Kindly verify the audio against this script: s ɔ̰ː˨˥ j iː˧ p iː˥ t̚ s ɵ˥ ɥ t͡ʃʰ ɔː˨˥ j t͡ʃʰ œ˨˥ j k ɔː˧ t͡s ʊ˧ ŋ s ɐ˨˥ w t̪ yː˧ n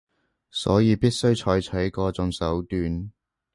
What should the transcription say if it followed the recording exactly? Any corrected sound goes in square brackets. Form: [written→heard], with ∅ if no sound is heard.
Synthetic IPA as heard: s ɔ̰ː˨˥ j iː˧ p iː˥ t̚ s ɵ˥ ɥ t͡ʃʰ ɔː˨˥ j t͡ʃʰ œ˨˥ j k ɔː˧ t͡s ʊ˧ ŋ s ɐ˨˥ w t̪ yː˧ n